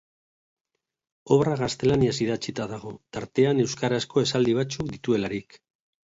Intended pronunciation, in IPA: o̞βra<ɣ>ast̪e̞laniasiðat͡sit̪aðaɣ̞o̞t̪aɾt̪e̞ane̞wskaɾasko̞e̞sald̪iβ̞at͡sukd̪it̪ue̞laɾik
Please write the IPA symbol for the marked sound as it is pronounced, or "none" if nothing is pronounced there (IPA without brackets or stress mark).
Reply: ɣ